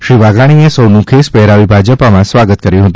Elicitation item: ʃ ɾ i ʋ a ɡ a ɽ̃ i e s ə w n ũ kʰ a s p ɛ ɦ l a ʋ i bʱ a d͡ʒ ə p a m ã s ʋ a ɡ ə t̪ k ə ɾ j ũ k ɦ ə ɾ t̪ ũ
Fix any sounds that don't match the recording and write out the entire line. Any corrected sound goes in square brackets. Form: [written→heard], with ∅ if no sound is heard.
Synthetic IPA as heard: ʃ ɾ i ʋ a ɡ a ɽ̃ i e s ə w n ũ kʰ [a→e] s p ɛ ɦ [l→ɾ] a ʋ i bʱ a d͡ʒ ə p a m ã s ʋ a ɡ ə t̪ k ə ɾ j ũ [k→∅] ɦ ə [ɾ→∅] t̪ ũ

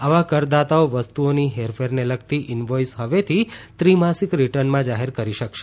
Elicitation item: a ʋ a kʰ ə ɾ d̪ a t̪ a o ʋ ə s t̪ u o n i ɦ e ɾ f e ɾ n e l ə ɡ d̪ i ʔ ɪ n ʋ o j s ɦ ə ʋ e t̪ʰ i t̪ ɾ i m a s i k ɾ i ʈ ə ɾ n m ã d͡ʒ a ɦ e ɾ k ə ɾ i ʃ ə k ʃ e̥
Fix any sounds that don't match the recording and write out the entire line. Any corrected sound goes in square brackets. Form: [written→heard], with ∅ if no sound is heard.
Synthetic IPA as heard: a ʋ a [kʰ→k] ə ɾ d̪ a t̪ a o ʋ ə s t̪ u o n i ɦ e ɾ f e ɾ n e l ə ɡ [d̪→t̪] i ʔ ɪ n ʋ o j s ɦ ə ʋ e t̪ʰ i t̪ ɾ i m a s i k ɾ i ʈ ə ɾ n m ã d͡ʒ a ɦ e ɾ k ə ɾ i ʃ ə k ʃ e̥

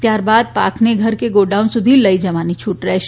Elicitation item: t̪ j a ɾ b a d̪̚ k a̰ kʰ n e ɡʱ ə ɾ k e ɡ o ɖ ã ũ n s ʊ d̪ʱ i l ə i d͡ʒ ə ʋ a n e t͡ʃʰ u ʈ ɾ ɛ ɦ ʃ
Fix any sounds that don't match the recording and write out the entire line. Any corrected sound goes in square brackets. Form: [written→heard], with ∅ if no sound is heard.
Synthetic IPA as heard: t̪ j a ɾ b a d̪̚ [k→p] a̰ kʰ n e ɡʱ ə ɾ k e ɡ o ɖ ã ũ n s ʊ d̪ʱ i l ə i d͡ʒ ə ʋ a n [e→i] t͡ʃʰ u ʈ ɾ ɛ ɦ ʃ

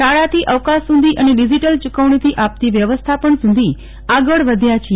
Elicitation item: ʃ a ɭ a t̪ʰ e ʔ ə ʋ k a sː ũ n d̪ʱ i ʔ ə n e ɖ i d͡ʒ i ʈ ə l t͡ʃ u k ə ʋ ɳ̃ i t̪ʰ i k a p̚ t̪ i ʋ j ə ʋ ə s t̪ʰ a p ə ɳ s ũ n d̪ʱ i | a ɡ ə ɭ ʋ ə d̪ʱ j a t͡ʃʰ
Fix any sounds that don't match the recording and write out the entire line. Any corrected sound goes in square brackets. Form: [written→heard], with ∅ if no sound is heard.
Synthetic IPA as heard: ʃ a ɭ a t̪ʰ [e→i] ʔ ə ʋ k a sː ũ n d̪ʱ i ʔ ə n e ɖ i d͡ʒ i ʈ ə l t͡ʃ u k ə ʋ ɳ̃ i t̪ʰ i [k→ʔ] a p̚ t̪ i ʋ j ə ʋ ə s t̪ʰ a p ə ɳ s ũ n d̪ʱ i | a ɡ ə ɭ ʋ ə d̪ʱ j a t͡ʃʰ

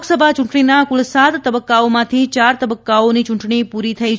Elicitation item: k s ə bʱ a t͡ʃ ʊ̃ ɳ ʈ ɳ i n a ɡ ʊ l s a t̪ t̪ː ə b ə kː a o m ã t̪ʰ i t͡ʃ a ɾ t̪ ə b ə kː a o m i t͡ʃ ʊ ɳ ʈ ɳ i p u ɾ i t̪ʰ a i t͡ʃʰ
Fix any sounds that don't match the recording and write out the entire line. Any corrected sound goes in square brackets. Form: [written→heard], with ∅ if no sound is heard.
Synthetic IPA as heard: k s ə bʱ a t͡ʃ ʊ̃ ɳ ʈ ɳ i n a [ɡ→k] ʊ l s a t̪ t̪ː ə b ə kː a o m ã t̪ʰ i t͡ʃ a ɾ t̪ ə b ə kː a o [m→n] i t͡ʃ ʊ ɳ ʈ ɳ i p u ɾ i t̪ʰ [a→ə] i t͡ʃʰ

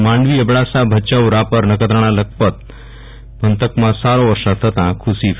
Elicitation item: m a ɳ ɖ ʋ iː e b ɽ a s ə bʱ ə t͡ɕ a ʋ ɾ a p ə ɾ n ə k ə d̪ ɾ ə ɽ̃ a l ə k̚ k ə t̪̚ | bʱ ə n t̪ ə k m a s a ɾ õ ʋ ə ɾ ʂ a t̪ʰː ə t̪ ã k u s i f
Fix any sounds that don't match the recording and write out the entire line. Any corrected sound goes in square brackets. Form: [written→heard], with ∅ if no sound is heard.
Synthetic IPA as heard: m a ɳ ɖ ʋ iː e b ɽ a s [ə→a] bʱ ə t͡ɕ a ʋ ɾ a p ə ɾ n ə k ə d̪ ɾ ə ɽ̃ a l ə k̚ [k→p] ə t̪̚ | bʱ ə n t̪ ə k m a s a ɾ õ ʋ ə ɾ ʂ a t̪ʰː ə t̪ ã [k→kʰ] u s i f

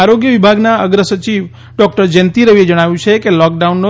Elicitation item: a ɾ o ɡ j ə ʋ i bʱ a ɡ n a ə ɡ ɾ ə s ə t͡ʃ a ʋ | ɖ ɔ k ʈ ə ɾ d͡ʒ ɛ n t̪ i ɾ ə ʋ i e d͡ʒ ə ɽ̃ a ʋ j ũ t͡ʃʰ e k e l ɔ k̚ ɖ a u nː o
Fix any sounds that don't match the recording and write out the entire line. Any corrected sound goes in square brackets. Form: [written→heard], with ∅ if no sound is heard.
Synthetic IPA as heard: a ɾ o ɡ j ə ʋ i bʱ a ɡ n a ə ɡ ɾ ə s ə t͡ʃ [a→i] ʋ | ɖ ɔ k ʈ ə ɾ d͡ʒ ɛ n t̪ i ɾ ə ʋ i e d͡ʒ ə ɽ̃ a ʋ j ũ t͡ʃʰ e k e l ɔ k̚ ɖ a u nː o

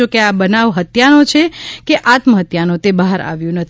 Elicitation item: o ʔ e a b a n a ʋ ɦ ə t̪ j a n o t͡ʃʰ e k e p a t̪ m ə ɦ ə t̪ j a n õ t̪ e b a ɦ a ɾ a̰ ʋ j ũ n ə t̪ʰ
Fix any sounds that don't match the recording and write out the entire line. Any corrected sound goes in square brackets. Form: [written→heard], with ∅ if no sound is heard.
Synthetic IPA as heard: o [ʔ→k] e a b [a→ə] n a ʋ ɦ ə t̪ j a n o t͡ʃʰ e k e [p→ʔ] a t̪ m ə ɦ ə t̪ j a n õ t̪ e b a ɦ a ɾ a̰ ʋ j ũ n ə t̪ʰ

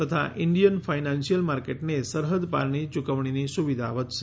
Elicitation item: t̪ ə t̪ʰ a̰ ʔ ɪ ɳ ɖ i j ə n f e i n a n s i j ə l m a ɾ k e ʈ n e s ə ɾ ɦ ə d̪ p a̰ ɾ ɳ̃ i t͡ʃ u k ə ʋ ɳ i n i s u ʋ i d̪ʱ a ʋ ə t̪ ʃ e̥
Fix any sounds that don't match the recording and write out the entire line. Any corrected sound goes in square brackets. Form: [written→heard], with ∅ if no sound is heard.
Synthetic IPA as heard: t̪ ə t̪ʰ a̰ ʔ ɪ ɳ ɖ i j ə n f [e→a] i n a n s i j ə l m a ɾ k e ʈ n e s ə ɾ ɦ ə d̪ p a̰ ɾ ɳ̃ i t͡ʃ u k ə ʋ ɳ i n i s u ʋ i d̪ʱ a ʋ ə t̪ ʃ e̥

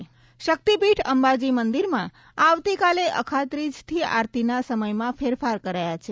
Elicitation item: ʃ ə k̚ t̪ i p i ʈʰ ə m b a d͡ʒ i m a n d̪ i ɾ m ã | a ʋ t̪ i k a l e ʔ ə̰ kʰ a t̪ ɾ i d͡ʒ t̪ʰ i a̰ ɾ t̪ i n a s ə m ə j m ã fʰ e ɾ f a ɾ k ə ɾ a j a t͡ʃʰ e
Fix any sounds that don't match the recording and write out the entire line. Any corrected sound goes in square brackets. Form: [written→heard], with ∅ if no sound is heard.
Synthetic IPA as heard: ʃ ə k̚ t̪ i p i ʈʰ ə m b a d͡ʒ i m [a→ə] n d̪ i ɾ m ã | a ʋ t̪ i k a l e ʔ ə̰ kʰ a t̪ ɾ i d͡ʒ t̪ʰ i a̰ ɾ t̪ i n a s ə m ə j m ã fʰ e ɾ f a ɾ k ə ɾ a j a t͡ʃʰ e

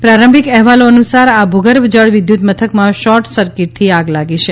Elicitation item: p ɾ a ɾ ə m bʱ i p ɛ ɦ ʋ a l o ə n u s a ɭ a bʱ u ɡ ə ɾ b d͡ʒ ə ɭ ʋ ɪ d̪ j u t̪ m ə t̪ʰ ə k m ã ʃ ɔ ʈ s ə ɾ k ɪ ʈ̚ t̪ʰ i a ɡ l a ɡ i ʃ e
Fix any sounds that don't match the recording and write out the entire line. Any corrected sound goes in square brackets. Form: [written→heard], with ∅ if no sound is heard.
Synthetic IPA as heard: p ɾ a ɾ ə m bʱ i [p→k] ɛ ɦ ʋ a l o ə n u s a [ɭ→ɾ] a bʱ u ɡ ə ɾ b d͡ʒ ə ɭ ʋ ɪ d̪ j u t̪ m ə t̪ʰ ə k m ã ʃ ɔ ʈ s ə ɾ k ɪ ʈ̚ t̪ʰ i a ɡ l a ɡ i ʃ e

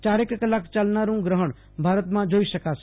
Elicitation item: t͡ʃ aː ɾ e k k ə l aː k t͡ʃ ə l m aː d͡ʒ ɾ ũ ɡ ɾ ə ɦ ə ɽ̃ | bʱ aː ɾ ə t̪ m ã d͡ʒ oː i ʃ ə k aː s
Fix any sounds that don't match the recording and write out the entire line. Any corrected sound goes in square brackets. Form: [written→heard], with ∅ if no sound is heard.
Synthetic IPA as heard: t͡ʃ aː ɾ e k k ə l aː k t͡ʃ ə l [m→n] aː [d͡ʒ→∅] ɾ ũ ɡ ɾ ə ɦ ə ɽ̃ | bʱ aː ɾ ə t̪ m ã d͡ʒ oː i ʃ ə k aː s

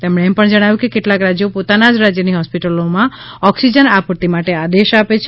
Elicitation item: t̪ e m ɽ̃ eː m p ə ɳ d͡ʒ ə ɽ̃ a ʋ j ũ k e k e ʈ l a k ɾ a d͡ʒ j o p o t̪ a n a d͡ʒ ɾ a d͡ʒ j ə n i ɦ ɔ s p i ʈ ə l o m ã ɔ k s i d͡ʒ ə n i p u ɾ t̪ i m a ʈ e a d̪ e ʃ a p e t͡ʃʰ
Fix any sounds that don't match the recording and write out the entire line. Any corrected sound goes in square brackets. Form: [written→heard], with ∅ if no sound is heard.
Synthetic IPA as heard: t̪ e m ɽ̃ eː m p ə ɳ d͡ʒ ə ɽ̃ a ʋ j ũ k e k e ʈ l a k ɾ a d͡ʒ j o p o t̪ a n a d͡ʒ ɾ a d͡ʒ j ə n i ɦ ɔ s p i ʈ ə l o m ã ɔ k s i d͡ʒ ə n [i→a] p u ɾ t̪ i m a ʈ e a d̪ e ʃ a p e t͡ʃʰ

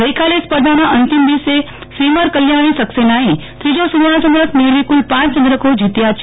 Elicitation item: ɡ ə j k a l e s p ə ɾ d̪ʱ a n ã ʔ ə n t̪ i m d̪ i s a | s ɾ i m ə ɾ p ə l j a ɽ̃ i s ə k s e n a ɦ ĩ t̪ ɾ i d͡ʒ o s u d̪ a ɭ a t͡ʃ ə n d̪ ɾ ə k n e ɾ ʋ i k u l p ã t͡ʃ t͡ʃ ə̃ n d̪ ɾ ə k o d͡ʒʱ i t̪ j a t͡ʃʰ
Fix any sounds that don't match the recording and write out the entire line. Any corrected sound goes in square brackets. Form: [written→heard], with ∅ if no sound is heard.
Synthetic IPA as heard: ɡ ə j k a l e s p ə ɾ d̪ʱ a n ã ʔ ə n t̪ i m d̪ i s [a→e] | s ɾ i m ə ɾ [p→k] ə l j a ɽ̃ i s ə k s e n a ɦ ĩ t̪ ɾ i d͡ʒ o s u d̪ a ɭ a t͡ʃ ə n d̪ ɾ ə k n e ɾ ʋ i k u l p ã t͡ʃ t͡ʃ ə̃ n d̪ ɾ ə k o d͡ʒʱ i t̪ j a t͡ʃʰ

